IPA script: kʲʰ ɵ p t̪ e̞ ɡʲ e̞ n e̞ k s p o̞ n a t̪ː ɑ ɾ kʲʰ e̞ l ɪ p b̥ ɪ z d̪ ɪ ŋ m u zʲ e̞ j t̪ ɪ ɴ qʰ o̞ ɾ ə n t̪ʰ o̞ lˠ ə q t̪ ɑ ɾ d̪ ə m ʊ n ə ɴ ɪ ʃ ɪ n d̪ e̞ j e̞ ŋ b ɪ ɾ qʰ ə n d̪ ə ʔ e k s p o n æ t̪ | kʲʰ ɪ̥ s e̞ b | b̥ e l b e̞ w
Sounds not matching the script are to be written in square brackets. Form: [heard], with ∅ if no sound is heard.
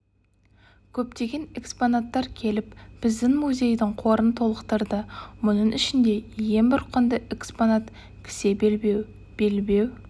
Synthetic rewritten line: kʲʰ ɵ p t̪ e̞ ɡʲ e̞ n e̞ k s p o̞ n a t̪ː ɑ ɾ kʲʰ e̞ l ɪ p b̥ ɪ z d̪ ɪ ŋ m u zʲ e̞ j [d̪] ɪ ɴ qʰ o̞ ɾ ə n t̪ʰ o̞ lˠ ə q t̪ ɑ ɾ d̪ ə m ʊ n ə ɴ ɪ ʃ ɪ n d̪ e̞ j e̞ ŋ b ɪ ɾ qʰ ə n d̪ ə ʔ e k s p o n [a] t̪ | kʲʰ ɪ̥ s e̞ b | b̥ e l b e̞ w